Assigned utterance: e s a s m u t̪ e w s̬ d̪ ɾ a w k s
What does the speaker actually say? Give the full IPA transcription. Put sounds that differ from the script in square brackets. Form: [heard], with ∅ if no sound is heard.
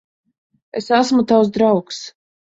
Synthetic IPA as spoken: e s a s m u t̪ [a] w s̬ d̪ ɾ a w k s